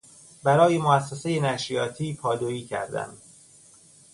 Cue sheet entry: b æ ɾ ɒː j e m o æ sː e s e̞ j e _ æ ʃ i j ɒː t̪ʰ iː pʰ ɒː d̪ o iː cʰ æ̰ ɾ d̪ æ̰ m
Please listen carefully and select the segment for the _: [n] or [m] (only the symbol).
n